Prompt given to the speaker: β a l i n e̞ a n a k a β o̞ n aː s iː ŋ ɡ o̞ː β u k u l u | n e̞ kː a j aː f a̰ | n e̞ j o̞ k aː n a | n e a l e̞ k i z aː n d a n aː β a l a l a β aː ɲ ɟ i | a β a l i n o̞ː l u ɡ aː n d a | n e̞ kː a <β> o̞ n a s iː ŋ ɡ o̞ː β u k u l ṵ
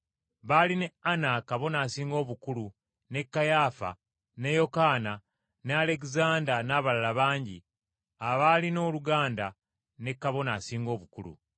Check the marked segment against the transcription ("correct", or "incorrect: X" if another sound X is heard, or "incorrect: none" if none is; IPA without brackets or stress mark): correct